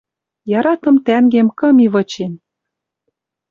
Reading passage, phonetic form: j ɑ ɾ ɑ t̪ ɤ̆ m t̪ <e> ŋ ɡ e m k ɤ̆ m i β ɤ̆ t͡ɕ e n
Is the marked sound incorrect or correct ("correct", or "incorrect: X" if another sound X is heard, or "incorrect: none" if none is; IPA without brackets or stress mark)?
incorrect: æ